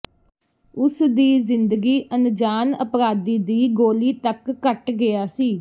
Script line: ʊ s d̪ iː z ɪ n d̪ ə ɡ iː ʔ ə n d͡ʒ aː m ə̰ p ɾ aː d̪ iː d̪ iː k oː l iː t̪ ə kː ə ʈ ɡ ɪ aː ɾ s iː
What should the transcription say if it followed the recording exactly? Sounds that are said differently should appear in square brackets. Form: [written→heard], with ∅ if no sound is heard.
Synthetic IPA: ʊ s d̪ iː z ɪ n d̪ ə ɡ iː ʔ ə n d͡ʒ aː [m→n] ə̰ p ɾ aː d̪ iː d̪ iː [k→ɡ] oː l iː t̪ ə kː ə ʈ ɡ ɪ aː [ɾ→∅] s iː